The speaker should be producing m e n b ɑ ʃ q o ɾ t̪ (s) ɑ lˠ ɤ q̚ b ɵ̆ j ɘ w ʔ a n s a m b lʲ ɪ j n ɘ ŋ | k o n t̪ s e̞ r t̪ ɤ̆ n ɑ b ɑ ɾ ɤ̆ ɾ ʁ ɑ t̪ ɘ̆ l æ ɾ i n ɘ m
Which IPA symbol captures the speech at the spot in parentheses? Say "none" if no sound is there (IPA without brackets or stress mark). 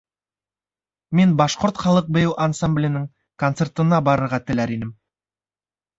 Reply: χ